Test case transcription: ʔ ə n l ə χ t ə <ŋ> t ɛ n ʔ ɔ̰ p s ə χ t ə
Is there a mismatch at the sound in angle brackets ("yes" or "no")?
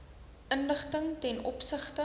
no